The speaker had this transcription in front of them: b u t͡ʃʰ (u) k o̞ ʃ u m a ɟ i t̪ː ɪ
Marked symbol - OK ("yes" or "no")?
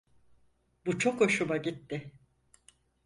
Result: no